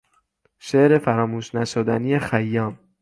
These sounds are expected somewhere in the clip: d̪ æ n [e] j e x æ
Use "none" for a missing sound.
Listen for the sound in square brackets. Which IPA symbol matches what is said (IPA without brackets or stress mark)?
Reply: i